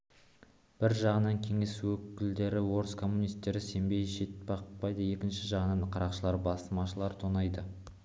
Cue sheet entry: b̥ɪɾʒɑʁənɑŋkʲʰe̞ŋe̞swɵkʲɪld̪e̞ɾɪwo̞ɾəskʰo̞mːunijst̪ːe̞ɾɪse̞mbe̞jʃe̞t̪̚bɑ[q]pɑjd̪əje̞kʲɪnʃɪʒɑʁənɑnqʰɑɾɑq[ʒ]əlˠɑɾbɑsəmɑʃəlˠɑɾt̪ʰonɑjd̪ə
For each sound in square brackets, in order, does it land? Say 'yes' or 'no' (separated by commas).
yes, no